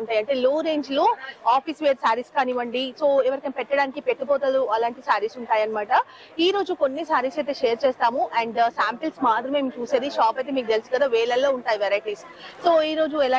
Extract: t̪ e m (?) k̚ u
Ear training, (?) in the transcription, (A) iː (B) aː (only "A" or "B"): A